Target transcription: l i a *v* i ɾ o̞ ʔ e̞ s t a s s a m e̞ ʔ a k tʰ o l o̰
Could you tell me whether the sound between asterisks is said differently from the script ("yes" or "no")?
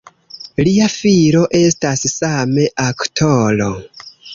yes